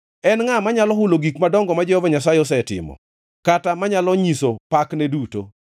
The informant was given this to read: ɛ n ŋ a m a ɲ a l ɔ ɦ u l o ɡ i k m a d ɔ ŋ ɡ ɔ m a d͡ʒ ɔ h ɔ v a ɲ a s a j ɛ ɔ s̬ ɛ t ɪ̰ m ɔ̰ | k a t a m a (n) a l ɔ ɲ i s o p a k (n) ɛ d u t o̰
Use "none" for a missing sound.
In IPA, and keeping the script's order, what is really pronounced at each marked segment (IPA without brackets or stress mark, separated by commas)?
ɲ, n